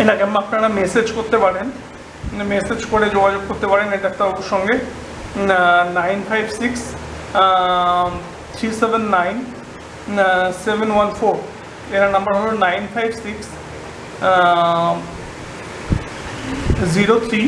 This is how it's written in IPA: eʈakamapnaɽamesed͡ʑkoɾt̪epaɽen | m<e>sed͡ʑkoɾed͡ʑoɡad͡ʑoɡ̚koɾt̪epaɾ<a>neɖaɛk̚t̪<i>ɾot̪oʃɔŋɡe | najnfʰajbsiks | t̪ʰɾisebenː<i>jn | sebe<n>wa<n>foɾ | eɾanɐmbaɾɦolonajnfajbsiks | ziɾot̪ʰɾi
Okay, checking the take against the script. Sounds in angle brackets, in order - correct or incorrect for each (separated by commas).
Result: correct, incorrect, incorrect, incorrect, correct, correct